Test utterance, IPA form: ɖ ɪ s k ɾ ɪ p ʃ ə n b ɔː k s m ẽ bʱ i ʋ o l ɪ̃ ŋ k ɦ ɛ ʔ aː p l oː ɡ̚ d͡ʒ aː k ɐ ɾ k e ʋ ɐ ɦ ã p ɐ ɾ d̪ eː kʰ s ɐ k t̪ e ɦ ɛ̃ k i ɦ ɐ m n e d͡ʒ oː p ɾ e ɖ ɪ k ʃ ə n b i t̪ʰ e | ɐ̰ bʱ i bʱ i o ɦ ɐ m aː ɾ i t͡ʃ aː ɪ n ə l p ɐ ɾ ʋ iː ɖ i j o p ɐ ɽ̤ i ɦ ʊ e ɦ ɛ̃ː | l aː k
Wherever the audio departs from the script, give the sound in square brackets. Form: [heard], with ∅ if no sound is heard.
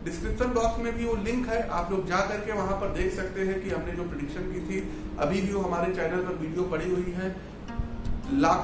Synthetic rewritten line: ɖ ɪ s k ɾ ɪ p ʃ ə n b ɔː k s m ẽ bʱ i ʋ o l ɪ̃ ŋ k ɦ ɛ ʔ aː p l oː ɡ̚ d͡ʒ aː k ɐ ɾ k e ʋ ɐ ɦ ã p ɐ ɾ d̪ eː kʰ s ɐ k t̪ e ɦ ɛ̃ k i ɦ ɐ m n e d͡ʒ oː p ɾ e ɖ ɪ k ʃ ə n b i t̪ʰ [i] | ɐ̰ bʱ i bʱ i o ɦ ɐ m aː ɾ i t͡ʃ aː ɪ n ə l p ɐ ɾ ʋ iː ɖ i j o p ɐ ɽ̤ i ɦ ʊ [i] ɦ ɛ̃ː | l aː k